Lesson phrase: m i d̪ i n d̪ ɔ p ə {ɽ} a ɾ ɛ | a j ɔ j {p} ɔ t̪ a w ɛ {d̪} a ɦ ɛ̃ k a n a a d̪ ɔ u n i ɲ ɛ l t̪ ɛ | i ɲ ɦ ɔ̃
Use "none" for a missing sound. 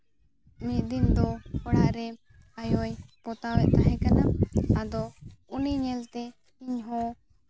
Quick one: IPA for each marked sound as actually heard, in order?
ɽ, p, t̪

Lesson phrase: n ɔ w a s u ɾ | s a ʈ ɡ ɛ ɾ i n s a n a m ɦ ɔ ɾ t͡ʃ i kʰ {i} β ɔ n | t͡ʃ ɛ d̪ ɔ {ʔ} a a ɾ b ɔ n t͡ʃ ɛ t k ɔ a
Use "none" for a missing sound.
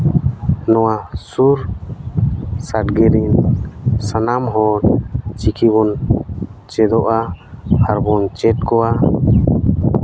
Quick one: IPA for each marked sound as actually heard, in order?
i, ʔ

